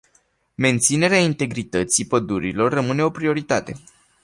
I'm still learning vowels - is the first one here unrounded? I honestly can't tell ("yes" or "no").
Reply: yes